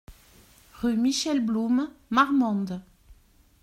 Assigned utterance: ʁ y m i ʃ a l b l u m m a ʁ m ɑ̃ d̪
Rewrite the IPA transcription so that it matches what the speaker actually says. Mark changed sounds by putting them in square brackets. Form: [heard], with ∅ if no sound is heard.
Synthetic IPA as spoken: ʁ y m i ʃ [ɛ] l b l u m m a ʁ m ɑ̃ d̪